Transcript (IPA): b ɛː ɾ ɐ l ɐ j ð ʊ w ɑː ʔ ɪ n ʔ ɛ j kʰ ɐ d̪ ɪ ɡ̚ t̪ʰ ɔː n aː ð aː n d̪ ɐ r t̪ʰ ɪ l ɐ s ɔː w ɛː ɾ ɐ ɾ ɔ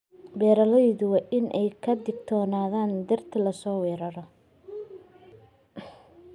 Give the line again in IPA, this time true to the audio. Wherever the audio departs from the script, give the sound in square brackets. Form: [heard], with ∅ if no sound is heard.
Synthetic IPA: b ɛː ɾ ɐ l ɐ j ð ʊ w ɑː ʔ ɪ n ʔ ɛ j kʰ ɐ d̪ ɪ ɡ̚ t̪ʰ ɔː n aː ð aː n d̪ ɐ r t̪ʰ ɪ l ɐ s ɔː w ɛː ɾ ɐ ɾ ɔ